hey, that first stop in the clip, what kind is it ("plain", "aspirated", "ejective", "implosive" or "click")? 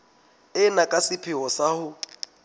ejective